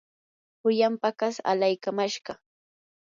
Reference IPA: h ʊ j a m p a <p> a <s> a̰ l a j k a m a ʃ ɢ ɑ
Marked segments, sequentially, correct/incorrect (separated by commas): incorrect, correct